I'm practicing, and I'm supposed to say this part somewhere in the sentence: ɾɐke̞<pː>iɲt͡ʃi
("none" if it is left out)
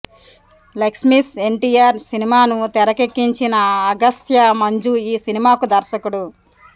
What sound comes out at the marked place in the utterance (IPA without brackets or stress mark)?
kː